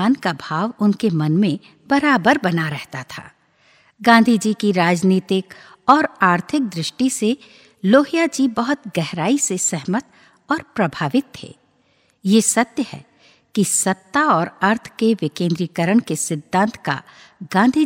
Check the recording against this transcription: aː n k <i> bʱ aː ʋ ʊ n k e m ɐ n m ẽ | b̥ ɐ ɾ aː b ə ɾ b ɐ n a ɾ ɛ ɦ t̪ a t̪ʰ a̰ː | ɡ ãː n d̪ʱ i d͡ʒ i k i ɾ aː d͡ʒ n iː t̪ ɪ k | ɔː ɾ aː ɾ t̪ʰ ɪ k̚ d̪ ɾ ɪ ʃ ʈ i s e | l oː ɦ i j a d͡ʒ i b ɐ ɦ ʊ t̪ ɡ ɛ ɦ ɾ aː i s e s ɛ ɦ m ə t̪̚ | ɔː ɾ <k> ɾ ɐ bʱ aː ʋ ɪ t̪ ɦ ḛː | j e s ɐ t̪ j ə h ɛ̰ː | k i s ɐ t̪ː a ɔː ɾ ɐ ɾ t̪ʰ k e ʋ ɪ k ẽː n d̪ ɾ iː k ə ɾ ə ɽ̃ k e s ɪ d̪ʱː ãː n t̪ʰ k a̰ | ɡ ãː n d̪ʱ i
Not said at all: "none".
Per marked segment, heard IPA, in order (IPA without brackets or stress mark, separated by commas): a, p